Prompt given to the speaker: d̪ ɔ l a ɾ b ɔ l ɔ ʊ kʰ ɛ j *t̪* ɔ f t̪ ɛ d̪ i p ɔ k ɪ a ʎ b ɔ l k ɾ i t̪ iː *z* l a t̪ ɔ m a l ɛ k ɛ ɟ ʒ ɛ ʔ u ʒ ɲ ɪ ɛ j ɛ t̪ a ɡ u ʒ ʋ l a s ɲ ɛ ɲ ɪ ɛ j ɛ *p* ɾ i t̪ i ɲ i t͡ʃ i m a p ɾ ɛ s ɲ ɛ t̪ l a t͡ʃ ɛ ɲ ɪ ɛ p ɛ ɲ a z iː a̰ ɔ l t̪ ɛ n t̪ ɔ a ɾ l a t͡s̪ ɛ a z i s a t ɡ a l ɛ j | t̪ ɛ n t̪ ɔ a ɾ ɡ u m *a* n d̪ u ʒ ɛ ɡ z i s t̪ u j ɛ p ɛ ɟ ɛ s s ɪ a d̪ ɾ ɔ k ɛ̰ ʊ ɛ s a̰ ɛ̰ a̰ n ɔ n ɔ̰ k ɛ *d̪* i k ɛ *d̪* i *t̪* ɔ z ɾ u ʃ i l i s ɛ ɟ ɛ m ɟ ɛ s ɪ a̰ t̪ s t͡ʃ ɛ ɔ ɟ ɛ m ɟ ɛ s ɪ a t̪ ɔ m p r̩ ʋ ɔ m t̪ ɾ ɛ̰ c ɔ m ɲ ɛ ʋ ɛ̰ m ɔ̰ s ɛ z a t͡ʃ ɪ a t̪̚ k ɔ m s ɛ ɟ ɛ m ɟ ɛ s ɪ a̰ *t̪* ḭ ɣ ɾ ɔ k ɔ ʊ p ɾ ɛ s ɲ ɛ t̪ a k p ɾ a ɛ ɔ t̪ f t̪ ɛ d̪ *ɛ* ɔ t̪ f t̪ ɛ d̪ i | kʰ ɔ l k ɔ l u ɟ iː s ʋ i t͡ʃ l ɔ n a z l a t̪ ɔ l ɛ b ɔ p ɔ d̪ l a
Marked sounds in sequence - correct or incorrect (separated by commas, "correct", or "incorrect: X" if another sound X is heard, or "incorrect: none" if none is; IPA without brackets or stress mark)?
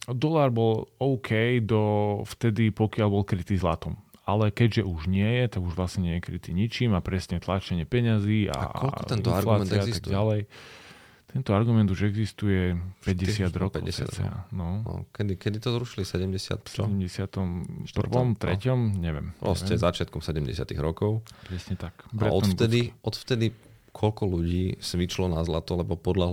incorrect: d̪, correct, incorrect: k, incorrect: ɛ, correct, correct, correct, correct, incorrect: i